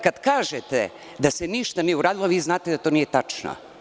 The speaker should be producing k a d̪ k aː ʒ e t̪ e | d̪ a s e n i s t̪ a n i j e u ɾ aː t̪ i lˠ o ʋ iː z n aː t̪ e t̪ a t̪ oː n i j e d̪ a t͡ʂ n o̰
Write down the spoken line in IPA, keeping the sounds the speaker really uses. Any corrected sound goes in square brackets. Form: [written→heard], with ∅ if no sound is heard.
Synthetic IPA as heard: k a d̪ k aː ʒ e t̪ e | d̪ a s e n i [s→ʃ] t̪ a n i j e u ɾ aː [t̪→d̪] i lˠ o ʋ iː z n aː t̪ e [t̪→d̪] a t̪ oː n i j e [d̪→t̪] a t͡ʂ n o̰